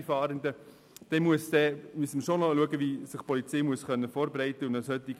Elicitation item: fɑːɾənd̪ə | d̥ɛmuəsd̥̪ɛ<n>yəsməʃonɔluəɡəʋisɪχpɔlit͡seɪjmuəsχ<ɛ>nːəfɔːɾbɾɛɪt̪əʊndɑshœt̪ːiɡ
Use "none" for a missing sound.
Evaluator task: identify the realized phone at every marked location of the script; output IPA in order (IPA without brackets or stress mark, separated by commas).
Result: m, œ